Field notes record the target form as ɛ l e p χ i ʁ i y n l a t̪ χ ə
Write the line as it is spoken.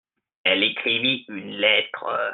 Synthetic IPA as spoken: ɛ l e k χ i v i y n l ɛ t̪ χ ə